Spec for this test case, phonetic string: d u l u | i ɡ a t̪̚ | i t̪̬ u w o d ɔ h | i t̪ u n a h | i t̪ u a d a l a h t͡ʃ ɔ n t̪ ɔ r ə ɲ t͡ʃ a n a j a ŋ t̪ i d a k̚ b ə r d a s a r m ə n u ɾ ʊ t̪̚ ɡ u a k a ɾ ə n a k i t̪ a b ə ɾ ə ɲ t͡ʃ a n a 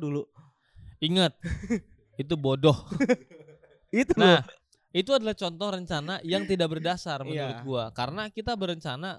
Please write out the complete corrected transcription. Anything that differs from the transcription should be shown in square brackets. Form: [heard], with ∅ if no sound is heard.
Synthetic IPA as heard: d u l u | i [ŋ] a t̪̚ | i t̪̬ u [b] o d ɔ h | i t̪ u n a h | i t̪ u a d a l a h t͡ʃ ɔ n t̪ ɔ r ə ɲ t͡ʃ a n a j a ŋ t̪ i d a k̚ b ə r d a s a r m ə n u ɾ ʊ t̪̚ ɡ u a k a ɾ ə n a k i t̪ a b ə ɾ ə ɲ t͡ʃ a n a